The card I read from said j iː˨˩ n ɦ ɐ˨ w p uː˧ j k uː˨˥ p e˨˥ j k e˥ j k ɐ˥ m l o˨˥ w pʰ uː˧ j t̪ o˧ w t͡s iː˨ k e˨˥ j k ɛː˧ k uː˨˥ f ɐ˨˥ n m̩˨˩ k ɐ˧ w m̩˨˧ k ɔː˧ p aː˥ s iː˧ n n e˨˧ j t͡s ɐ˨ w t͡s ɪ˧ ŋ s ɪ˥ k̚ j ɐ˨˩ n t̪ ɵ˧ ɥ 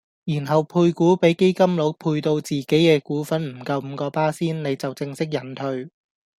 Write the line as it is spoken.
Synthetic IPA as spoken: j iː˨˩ n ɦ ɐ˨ w pʰ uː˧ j k uː˨˥ p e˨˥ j k e˥ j k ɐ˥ m l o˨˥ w pʰ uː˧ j t̪ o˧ w t͡s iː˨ k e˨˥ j k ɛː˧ k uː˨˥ f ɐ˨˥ n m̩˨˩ k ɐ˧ w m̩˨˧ k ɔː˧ p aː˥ s iː˥ n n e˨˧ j t͡s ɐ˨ w t͡s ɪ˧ ŋ s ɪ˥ k̚ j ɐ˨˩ n t̪ʰ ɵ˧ ɥ